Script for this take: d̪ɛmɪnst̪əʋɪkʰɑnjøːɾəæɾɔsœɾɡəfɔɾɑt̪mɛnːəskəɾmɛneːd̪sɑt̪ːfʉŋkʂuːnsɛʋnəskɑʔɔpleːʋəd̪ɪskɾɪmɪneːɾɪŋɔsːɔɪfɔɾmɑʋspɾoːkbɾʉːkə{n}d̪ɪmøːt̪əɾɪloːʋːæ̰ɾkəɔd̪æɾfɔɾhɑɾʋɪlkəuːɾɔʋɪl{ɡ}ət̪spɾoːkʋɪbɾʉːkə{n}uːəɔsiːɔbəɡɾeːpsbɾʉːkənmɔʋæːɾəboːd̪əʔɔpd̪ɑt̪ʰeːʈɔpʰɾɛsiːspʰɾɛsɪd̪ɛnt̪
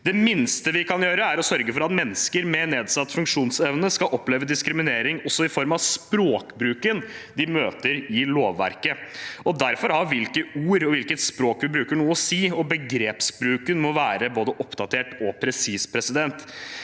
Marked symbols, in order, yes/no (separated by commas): yes, no, no